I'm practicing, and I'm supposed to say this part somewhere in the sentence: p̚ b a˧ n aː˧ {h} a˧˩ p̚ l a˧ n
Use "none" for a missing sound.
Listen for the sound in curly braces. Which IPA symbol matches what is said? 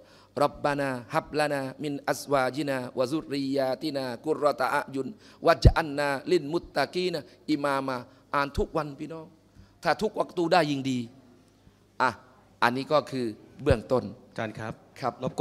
h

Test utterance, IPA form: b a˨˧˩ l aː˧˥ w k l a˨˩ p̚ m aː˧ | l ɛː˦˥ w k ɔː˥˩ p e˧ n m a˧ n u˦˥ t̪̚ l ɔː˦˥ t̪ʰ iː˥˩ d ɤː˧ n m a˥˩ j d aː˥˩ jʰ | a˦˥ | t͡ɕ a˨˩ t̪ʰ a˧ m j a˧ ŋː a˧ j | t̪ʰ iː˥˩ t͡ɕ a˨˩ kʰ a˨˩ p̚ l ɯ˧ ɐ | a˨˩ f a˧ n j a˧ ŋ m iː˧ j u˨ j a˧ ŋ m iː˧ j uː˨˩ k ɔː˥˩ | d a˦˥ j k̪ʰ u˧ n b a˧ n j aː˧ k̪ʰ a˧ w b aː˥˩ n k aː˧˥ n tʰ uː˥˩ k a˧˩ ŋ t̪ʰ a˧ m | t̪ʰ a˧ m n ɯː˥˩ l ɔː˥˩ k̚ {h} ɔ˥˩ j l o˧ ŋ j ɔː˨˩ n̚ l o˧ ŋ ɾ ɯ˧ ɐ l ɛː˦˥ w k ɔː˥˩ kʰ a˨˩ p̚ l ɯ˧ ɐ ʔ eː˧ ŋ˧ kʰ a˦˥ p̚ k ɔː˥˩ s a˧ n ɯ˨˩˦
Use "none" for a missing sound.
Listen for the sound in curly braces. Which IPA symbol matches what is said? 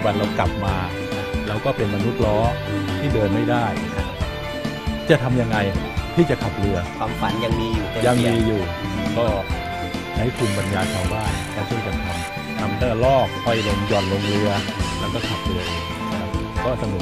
h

